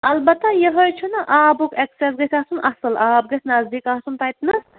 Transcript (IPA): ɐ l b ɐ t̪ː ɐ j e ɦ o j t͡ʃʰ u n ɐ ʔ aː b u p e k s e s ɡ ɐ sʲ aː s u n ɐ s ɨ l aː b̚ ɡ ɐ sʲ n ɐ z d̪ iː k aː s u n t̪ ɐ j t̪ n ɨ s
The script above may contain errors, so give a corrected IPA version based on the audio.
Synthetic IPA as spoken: ɐ l b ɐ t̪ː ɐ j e ɦ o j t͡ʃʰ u n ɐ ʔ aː b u k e k s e s ɡ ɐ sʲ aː s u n ɐ s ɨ l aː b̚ ɡ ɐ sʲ n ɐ z d̪ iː k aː s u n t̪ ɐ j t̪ n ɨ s